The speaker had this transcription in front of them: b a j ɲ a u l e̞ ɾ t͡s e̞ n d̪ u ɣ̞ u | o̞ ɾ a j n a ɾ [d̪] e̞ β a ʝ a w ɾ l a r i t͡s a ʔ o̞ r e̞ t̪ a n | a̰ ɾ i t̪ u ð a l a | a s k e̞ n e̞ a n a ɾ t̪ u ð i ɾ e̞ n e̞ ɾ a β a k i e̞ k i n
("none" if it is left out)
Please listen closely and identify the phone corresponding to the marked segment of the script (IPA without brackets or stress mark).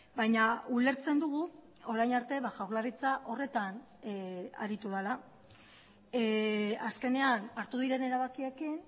t̪